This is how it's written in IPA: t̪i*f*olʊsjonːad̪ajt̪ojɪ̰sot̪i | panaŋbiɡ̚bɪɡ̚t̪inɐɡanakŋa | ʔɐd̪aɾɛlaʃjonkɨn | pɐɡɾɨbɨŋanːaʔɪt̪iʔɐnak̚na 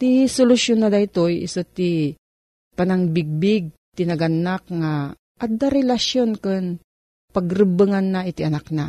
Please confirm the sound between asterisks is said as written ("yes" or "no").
no